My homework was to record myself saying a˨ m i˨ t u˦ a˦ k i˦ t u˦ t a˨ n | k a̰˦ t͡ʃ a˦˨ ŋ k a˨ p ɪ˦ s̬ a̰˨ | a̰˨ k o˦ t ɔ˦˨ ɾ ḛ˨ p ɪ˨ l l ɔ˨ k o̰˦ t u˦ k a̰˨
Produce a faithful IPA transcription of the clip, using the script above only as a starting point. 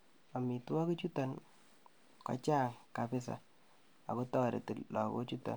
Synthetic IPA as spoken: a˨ m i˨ t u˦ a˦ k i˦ t͡ʃ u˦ t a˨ n | k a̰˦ t͡ʃ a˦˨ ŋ k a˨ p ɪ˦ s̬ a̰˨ | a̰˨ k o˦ t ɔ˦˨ ɾ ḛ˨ t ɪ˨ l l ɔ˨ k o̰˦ t͡ʃ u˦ t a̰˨